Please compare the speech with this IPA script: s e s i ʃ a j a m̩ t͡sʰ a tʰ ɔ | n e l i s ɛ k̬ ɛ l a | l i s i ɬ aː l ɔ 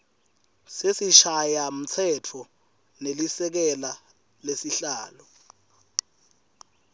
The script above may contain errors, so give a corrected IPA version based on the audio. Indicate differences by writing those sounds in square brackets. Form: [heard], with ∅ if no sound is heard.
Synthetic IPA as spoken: s e s i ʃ a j a m̩ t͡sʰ [ɛ] tʰ ɔ | n e l i s ɛ k̬ ɛ l a | l [e] s i ɬ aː l ɔ